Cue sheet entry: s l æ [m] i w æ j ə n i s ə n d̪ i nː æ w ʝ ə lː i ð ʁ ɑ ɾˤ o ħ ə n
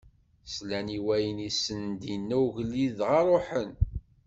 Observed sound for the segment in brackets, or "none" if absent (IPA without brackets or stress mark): n